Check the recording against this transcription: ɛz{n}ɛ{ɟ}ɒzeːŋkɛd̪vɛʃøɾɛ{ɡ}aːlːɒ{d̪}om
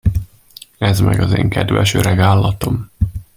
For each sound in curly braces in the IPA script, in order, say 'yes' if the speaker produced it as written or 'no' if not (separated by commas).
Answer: no, no, yes, no